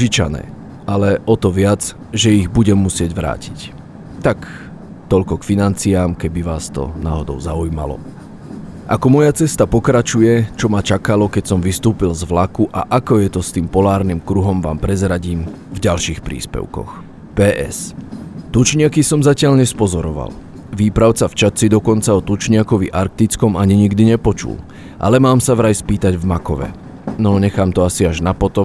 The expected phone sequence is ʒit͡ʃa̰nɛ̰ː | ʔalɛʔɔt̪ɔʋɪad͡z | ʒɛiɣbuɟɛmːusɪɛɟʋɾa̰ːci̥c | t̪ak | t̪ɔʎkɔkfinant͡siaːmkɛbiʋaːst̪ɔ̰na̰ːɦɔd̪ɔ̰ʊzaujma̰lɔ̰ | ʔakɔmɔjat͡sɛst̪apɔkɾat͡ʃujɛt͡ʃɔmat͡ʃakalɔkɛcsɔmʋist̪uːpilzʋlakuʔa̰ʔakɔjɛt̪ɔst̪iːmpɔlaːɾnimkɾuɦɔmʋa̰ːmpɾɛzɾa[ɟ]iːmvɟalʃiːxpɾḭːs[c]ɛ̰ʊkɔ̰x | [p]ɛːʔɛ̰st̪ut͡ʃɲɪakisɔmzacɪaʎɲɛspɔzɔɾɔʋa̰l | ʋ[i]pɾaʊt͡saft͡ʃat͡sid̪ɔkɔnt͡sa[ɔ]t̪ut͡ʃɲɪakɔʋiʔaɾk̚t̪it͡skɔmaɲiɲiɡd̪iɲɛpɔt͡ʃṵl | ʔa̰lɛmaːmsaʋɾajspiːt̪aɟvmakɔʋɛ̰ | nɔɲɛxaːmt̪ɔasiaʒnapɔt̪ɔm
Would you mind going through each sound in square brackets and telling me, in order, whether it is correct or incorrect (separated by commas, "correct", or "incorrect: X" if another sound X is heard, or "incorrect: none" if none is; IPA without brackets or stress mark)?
correct, incorrect: p, correct, incorrect: iː, correct